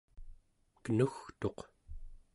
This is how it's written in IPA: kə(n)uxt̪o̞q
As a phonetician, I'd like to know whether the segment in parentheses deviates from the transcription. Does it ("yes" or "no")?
no